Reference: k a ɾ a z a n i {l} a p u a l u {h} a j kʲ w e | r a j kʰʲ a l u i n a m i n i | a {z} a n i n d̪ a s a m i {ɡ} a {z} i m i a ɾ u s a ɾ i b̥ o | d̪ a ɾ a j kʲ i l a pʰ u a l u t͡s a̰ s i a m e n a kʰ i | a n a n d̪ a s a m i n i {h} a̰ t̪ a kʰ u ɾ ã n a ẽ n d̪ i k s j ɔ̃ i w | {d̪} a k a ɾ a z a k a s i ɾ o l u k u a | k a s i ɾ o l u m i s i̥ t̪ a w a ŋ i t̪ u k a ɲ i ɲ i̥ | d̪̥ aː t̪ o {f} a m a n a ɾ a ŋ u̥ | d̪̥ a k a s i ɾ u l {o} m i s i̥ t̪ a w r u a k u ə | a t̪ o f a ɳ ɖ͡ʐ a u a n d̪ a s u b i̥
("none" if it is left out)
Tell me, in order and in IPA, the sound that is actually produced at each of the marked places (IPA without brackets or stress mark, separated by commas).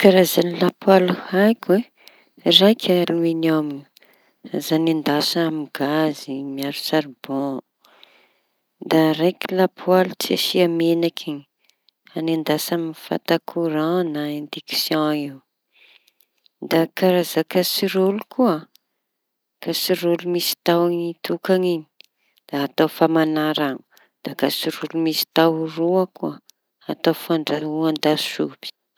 l, h, z, ɡ, z, f, d̪, f, u